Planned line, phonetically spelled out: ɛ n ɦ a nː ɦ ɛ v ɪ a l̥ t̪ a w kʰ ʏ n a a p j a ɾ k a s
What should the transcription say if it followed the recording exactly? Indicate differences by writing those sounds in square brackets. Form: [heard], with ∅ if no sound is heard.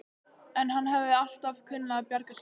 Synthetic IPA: ɛ n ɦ a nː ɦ ɛ v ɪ a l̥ t̪ a [v] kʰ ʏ [nː] a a p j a ɾ k a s